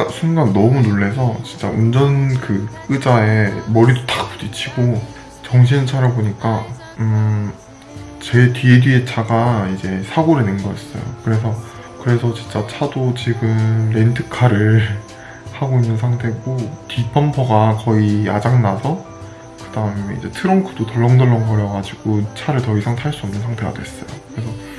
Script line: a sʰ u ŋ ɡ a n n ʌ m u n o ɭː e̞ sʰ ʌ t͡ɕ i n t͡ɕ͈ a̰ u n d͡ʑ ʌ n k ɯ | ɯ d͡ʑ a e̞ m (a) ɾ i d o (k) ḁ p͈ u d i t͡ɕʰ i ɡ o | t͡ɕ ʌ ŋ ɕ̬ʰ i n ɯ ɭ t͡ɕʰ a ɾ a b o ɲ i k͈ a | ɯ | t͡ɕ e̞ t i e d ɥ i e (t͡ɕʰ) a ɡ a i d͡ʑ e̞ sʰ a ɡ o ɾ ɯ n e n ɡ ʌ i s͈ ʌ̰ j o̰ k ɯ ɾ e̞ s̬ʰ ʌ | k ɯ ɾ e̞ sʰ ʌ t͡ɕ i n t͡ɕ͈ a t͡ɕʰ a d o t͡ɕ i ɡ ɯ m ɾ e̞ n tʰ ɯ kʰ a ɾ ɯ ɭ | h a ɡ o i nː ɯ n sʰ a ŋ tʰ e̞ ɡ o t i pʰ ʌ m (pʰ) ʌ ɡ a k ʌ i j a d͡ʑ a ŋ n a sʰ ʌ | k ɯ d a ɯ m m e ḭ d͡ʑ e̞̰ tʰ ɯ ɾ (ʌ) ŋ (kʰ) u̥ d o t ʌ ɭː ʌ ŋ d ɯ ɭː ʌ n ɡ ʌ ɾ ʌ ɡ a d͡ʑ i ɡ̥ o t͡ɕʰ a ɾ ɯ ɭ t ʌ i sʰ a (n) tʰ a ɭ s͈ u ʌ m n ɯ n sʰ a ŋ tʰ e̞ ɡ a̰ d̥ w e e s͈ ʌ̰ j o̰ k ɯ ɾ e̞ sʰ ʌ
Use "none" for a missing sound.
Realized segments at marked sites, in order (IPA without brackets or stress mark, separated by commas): ʌ, t, t͡ɕʰ, pʰ, ʌ, kʰ, ŋ